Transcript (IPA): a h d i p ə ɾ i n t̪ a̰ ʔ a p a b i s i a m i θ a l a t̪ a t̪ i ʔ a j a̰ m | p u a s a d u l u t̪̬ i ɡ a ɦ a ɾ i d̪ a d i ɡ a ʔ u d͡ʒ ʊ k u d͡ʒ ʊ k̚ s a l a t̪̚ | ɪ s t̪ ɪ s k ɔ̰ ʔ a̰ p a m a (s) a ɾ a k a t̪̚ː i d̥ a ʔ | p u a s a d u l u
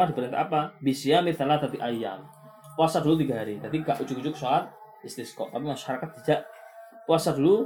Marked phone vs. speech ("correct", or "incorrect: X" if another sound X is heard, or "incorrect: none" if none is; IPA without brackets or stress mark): incorrect: ʃ